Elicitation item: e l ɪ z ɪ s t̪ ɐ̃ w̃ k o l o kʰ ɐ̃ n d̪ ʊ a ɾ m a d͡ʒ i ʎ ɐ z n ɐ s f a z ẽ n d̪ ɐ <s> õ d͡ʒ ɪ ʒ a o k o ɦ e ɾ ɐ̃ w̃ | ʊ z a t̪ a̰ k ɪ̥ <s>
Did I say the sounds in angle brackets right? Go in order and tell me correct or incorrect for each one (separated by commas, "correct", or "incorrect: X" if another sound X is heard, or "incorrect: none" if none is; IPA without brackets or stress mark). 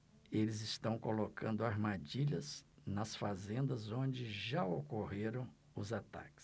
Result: incorrect: z, correct